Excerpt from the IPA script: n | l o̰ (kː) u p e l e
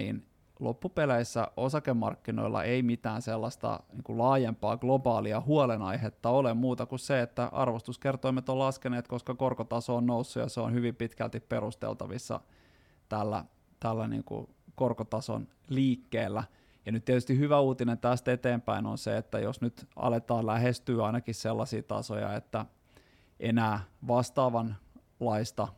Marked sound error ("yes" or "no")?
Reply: yes